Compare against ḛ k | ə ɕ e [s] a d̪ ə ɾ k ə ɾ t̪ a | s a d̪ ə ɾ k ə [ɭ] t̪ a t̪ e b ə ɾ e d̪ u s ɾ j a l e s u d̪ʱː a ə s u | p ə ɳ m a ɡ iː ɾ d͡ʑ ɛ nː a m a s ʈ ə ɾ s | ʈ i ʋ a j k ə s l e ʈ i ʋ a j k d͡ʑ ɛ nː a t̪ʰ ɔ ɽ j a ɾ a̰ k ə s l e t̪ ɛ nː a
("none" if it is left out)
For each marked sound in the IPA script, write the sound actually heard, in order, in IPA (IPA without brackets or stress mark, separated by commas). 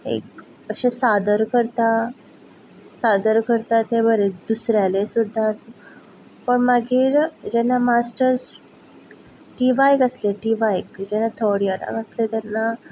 s, ɾ